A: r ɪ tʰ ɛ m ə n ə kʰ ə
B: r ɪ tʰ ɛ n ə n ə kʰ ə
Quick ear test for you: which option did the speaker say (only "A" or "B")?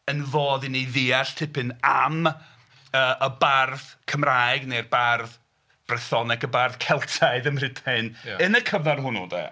B